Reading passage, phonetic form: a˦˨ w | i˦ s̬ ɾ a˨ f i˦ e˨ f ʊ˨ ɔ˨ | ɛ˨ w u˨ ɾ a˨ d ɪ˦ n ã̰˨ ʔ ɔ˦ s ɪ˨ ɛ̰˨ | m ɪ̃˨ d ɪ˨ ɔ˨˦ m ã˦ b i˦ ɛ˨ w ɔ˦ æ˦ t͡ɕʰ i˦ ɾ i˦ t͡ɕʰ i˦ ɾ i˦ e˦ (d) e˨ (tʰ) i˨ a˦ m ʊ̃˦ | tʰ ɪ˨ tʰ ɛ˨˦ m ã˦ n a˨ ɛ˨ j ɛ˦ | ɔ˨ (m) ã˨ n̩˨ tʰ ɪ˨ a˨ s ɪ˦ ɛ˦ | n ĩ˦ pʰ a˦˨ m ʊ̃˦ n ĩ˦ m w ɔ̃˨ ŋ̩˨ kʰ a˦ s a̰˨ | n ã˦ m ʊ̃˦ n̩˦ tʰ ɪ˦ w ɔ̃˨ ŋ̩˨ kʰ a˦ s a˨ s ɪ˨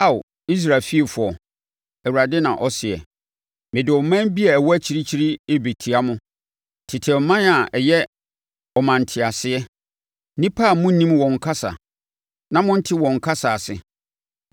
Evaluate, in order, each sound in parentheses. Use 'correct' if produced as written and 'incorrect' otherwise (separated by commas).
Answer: incorrect, correct, correct